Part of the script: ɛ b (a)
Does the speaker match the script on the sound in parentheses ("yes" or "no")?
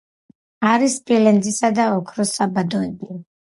no